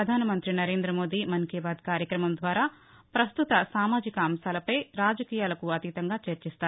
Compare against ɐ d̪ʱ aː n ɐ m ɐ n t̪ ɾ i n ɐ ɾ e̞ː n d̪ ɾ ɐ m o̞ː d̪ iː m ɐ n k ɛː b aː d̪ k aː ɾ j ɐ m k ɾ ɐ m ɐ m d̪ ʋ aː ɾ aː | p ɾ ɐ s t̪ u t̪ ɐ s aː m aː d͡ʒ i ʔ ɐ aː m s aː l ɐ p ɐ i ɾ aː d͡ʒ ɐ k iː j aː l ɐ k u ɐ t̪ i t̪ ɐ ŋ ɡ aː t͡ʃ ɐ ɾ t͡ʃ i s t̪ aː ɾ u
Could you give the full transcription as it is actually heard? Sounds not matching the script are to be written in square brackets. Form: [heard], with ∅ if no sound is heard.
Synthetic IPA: ɐ d̪ʱ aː n ɐ m ɐ n t̪ ɾ i n ɐ ɾ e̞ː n d̪ ɾ ɐ m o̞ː d̪ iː m ɐ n k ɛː b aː d̪ k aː ɾ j ɐ [∅] k ɾ ɐ m ɐ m d̪ ʋ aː ɾ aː | p ɾ ɐ s t̪ u t̪ ɐ s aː m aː d͡ʒ i [k] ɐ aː m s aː l ɐ p ɐ [j] ɾ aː d͡ʒ ɐ k iː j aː l ɐ k u ɐ t̪ i t̪ ɐ ŋ ɡ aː t͡ʃ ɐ ɾ t͡ʃ i s t̪ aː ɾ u